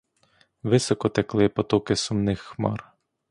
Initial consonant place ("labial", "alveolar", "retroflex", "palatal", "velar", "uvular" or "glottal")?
labial